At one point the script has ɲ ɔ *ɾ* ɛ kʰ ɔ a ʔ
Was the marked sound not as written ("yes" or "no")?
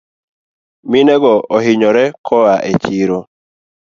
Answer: no